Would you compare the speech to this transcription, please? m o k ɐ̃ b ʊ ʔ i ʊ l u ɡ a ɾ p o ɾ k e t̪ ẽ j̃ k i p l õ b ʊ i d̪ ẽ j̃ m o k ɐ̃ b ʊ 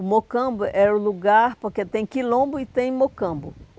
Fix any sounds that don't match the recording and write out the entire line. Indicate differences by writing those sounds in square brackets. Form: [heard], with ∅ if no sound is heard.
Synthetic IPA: m o k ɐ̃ b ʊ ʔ [ɛ] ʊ l u ɡ a ɾ p o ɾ k e t̪ ẽ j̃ k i [∅] l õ b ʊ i [t̪] ẽ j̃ m o k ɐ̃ b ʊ

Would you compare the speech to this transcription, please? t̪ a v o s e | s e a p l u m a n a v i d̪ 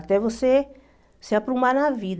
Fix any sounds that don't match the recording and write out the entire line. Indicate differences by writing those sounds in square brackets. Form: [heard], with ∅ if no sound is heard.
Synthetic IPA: t̪ [ɛ] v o s e | s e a p [ɾ] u m a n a v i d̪

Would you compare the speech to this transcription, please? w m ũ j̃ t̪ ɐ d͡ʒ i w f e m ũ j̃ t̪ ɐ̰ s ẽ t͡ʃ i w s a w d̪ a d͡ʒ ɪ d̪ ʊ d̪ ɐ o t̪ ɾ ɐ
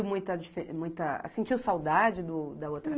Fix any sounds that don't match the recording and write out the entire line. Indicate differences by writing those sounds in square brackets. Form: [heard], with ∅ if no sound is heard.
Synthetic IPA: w m ũ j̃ t̪ ɐ d͡ʒ i [∅] f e m ũ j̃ t̪ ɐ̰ s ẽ t͡ʃ i w s a w d̪ a d͡ʒ ɪ d̪ ʊ d̪ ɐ o t̪ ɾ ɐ

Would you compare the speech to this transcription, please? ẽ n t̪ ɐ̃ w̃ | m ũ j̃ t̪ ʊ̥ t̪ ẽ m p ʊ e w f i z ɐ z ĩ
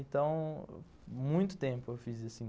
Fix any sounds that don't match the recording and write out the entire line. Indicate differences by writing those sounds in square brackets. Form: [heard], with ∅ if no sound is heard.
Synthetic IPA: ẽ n t̪ ɐ̃ w̃ | m ũ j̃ t̪ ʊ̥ t̪ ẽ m p ʊ e w f i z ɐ [s] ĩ

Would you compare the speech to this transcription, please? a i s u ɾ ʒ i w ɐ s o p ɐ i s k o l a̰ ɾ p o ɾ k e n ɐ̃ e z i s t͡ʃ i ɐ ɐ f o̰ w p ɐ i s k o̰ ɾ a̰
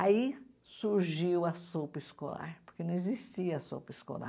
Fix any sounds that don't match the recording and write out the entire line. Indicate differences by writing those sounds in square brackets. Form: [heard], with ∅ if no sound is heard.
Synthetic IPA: a i s u ɾ ʒ i w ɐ s o p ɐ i s k o l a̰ ɾ p o ɾ k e n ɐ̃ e z i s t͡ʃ i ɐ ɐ [s] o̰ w p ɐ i s k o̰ [l] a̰

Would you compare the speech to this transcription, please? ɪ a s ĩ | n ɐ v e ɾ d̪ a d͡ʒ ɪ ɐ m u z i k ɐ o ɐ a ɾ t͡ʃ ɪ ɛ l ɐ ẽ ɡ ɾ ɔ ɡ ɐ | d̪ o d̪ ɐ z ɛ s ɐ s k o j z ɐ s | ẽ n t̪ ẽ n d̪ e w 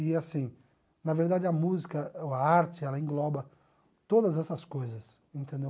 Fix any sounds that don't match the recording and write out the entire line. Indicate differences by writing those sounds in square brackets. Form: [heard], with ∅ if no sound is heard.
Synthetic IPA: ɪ a s ĩ | n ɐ v e ɾ d̪ a d͡ʒ ɪ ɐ m u z i k ɐ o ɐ a ɾ t͡ʃ ɪ ɛ l ɐ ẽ ɡ [l] ɔ [b] ɐ | [t̪] o d̪ ɐ z ɛ s ɐ s k o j z ɐ s | ẽ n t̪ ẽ n d̪ e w

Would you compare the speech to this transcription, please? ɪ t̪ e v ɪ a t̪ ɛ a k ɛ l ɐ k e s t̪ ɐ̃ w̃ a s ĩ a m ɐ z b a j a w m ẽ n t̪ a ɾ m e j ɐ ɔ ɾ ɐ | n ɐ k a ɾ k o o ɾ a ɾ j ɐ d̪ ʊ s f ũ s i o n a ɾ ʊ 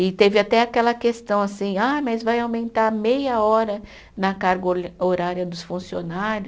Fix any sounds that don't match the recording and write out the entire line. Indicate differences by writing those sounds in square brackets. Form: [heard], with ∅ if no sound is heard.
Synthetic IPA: ɪ t̪ e v ɪ a t̪ ɛ a k ɛ l ɐ k e s t̪ ɐ̃ w̃ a s ĩ a m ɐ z [v] a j a w m ẽ n t̪ a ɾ m e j ɐ ɔ ɾ ɐ | n ɐ k a ɾ [ɡ] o o ɾ a ɾ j ɐ d̪ ʊ s f ũ s i o n a ɾ ʊ

